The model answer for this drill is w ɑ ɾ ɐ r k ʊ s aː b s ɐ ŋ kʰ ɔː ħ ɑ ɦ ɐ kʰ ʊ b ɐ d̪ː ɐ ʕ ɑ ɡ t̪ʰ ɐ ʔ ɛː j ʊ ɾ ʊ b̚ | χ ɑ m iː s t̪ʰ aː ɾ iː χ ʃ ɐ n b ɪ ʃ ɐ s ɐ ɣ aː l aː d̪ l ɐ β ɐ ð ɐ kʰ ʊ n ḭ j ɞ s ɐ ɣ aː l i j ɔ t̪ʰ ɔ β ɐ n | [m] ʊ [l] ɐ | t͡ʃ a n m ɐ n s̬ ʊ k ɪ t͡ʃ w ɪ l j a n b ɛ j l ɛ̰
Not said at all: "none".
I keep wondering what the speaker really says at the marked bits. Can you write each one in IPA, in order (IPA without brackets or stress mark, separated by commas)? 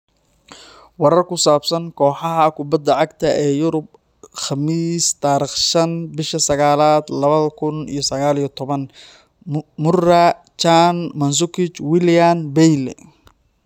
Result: m, r